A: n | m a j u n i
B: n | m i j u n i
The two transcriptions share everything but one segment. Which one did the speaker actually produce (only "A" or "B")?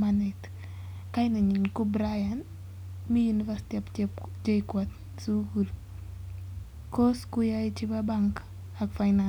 B